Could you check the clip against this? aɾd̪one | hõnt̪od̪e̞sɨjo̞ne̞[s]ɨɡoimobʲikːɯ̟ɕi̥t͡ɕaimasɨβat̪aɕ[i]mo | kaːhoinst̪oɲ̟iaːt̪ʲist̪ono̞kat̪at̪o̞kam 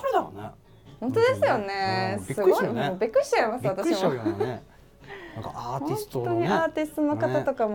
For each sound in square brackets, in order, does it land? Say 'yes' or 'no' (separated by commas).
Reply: yes, yes